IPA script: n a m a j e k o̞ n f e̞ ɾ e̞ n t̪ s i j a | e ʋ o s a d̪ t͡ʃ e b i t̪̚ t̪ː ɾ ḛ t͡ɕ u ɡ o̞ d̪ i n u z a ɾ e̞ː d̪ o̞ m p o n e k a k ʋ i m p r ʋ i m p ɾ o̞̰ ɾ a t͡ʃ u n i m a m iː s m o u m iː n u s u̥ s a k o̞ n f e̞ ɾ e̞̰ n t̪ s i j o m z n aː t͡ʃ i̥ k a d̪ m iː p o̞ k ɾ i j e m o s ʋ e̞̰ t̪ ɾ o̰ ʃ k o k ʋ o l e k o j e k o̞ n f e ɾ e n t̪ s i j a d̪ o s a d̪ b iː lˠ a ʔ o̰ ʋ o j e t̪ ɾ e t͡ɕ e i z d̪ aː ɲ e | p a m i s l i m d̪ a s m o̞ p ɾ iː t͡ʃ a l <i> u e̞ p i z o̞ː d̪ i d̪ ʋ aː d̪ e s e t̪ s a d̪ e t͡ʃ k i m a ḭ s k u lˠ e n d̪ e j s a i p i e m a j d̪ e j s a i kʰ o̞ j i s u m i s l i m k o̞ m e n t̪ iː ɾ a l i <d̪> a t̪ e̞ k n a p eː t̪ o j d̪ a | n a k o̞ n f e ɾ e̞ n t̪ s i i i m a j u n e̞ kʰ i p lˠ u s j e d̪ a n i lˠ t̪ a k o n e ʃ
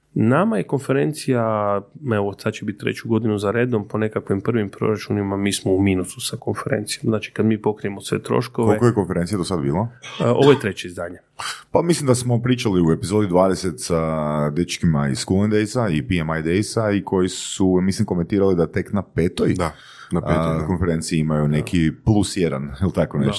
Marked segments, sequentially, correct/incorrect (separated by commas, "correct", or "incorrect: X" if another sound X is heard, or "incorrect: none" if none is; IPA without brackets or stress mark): correct, correct